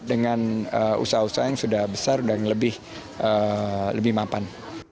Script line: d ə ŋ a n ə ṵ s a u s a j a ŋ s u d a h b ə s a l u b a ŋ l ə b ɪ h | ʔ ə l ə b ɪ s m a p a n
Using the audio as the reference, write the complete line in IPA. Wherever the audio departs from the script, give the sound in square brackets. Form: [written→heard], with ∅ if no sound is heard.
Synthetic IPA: d ə ŋ a n ə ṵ s a u s a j a ŋ s u d a h b ə s a [l→r] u [b→d] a ŋ l ə b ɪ h | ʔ ə l ə b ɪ [s→h] m a p a n